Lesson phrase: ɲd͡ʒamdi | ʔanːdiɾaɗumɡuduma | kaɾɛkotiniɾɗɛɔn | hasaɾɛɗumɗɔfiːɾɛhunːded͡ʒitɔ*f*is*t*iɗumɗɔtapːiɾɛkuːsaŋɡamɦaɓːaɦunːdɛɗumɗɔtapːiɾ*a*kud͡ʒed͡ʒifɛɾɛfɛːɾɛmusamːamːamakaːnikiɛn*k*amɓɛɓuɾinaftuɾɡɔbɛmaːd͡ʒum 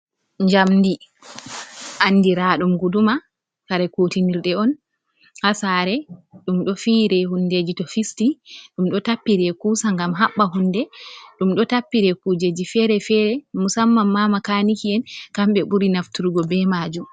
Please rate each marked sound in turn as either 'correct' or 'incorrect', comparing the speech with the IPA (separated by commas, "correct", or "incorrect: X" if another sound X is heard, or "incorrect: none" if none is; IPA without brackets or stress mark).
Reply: correct, correct, incorrect: ɛ, correct